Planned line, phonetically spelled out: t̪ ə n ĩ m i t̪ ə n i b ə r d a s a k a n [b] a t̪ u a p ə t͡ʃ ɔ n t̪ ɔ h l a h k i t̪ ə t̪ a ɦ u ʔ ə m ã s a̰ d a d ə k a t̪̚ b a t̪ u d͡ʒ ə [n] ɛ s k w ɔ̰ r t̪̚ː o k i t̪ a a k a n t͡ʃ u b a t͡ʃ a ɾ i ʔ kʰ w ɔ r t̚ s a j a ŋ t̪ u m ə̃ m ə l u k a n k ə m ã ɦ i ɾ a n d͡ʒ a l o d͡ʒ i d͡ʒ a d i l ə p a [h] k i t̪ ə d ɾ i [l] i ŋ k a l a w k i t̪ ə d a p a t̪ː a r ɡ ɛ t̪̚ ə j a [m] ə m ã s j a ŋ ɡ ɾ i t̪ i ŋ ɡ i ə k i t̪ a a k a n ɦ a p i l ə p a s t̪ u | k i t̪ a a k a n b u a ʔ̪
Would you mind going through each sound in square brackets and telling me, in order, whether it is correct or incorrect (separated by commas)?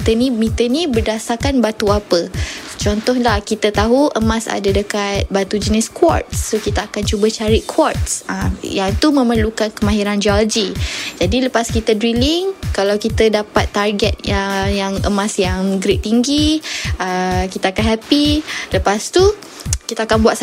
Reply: correct, correct, incorrect, correct, incorrect